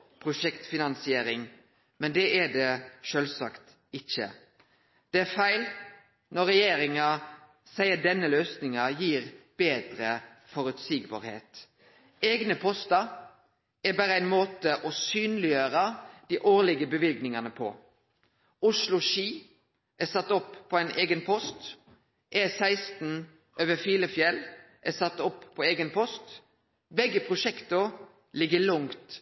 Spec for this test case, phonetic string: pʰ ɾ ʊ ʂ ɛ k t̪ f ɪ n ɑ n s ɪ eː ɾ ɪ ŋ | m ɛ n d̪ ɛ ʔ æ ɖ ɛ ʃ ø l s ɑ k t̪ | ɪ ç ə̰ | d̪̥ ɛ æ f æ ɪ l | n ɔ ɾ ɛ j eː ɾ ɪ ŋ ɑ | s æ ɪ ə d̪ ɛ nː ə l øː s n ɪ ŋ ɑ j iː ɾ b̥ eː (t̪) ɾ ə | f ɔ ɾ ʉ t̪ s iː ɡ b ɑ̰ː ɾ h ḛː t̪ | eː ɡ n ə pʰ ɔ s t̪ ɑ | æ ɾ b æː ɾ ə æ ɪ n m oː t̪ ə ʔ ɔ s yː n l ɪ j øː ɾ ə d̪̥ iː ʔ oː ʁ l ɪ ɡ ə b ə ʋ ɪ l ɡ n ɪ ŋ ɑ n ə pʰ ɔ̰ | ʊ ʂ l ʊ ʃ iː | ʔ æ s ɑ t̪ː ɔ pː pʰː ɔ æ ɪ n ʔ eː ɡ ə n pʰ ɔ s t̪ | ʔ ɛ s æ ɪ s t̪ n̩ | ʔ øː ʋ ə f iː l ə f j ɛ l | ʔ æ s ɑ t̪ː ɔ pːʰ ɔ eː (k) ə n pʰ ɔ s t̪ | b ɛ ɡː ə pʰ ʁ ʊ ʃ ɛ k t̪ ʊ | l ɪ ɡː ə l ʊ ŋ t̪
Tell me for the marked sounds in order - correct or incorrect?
incorrect: d̪, incorrect: ɡ

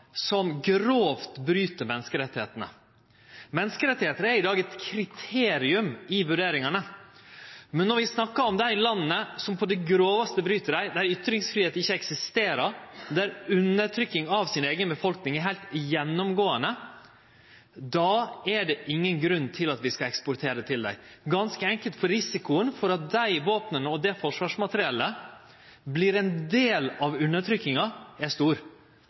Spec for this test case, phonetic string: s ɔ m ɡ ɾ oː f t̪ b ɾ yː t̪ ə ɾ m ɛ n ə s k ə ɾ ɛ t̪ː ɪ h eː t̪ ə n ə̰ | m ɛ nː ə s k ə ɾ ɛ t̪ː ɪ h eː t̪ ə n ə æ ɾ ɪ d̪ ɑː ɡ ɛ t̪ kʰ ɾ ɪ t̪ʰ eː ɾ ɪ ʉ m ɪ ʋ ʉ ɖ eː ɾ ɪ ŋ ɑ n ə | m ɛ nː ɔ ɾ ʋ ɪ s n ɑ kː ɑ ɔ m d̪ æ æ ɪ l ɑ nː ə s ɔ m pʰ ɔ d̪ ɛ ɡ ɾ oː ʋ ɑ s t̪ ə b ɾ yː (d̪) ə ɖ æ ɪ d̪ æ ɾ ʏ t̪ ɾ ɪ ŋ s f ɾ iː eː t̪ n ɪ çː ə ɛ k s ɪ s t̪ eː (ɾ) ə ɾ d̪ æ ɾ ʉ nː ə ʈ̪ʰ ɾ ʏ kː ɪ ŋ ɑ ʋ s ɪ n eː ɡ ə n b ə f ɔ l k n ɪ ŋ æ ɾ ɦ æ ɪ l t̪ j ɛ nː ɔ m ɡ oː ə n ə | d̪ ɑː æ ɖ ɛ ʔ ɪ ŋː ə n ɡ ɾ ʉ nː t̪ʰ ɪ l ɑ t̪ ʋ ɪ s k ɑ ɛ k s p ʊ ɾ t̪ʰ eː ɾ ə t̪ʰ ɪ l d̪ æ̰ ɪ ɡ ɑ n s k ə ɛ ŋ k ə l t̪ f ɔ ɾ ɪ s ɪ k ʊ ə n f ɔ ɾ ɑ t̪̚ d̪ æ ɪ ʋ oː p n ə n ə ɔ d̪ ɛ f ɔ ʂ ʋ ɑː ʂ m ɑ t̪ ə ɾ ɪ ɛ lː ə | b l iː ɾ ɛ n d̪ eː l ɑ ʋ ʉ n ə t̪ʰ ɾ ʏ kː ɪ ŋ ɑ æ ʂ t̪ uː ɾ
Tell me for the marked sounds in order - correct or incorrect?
incorrect: t̪, correct

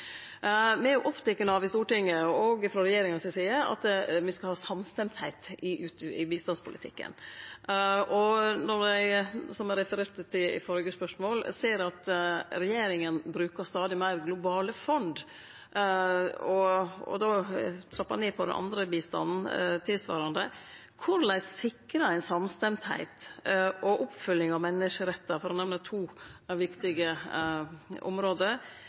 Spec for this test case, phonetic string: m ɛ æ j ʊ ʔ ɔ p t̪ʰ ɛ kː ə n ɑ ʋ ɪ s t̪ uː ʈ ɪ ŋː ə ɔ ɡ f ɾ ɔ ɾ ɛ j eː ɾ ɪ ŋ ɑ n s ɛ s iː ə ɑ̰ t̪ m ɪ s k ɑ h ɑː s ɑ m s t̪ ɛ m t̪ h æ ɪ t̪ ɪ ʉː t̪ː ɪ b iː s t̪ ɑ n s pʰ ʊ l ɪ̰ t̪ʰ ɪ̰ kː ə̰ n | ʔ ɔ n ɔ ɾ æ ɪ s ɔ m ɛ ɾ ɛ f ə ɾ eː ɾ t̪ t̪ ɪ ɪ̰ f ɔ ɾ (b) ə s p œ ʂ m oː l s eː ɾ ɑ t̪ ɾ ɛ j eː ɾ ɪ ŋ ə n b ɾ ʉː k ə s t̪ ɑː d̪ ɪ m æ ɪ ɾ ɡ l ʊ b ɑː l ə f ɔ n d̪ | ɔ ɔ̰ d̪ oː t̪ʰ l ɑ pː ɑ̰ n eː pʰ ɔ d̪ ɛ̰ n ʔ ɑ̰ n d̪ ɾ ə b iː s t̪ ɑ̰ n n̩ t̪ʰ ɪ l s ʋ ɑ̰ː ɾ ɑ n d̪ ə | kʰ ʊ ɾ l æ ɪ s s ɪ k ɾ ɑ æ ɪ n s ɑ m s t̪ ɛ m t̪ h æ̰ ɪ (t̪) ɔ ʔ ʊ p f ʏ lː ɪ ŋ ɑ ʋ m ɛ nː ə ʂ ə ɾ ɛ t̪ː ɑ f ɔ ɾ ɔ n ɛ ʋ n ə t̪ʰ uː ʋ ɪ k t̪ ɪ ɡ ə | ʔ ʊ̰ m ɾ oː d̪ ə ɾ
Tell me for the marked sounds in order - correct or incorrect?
incorrect: ɡ, correct

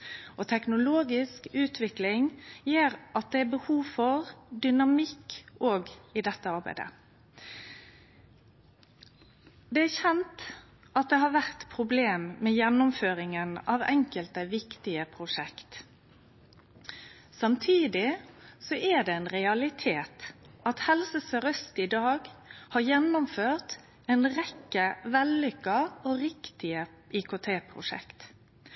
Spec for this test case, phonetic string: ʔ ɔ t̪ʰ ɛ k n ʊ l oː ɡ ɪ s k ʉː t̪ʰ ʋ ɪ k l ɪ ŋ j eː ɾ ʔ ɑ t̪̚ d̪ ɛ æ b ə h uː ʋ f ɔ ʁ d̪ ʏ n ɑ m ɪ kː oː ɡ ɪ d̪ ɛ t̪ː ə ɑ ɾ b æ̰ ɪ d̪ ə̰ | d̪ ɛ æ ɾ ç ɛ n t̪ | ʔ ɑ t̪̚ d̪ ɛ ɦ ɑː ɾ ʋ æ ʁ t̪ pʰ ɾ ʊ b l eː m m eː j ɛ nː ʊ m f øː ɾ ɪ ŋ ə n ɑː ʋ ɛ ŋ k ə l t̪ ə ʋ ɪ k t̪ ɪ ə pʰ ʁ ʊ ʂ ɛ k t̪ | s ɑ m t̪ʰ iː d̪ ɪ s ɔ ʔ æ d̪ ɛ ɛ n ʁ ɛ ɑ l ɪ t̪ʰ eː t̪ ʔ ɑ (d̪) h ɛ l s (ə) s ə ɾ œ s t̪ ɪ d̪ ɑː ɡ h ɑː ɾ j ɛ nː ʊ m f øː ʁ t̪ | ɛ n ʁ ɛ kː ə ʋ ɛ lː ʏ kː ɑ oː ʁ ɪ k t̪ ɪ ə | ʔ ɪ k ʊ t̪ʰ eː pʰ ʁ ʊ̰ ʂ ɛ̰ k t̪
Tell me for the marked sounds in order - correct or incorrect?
incorrect: t̪, correct

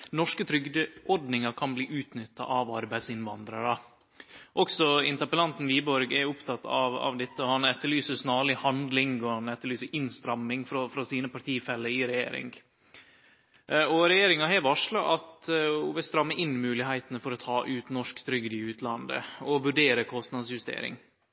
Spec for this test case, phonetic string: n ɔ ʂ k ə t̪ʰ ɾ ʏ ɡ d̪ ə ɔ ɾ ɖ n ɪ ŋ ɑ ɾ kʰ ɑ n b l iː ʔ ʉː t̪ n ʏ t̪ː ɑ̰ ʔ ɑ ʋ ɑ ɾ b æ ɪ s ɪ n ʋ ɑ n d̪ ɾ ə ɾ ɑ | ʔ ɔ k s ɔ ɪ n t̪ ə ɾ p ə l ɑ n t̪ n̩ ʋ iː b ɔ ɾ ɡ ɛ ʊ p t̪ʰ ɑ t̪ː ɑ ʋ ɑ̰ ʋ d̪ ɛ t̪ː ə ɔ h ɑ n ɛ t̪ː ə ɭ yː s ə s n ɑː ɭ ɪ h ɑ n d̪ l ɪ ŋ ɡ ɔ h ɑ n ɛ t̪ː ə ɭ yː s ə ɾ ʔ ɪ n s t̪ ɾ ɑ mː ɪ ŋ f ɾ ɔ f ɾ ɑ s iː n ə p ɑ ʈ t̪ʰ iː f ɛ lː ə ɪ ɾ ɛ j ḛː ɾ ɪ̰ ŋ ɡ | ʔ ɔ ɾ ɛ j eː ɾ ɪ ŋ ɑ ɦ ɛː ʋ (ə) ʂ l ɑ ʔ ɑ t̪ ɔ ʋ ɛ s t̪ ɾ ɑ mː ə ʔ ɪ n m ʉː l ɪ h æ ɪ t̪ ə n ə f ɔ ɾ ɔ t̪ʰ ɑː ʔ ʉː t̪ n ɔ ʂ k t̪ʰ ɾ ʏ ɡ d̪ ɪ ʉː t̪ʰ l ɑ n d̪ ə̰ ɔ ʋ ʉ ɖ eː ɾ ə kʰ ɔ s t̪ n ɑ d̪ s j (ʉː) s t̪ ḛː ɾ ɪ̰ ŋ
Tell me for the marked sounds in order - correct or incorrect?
incorrect: ɑ, incorrect: ʉ

